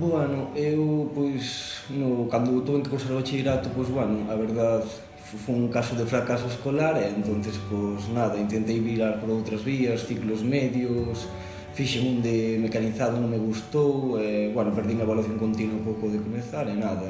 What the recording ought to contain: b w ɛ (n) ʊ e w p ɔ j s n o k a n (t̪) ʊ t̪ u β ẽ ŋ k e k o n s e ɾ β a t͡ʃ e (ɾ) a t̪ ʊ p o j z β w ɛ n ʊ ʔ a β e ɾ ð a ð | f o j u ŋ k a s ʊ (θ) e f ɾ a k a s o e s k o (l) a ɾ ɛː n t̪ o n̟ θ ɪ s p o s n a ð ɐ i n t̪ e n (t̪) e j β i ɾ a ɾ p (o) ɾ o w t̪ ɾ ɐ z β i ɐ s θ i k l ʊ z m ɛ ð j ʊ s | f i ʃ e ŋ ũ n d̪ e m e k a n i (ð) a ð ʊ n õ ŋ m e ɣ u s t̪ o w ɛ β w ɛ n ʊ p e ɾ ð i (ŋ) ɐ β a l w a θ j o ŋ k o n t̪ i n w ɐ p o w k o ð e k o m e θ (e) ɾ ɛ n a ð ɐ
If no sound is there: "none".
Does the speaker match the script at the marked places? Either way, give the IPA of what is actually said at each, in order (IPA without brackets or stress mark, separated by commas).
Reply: n, d̪, ɾ, ð, l, t̪, o, θ, ŋ, a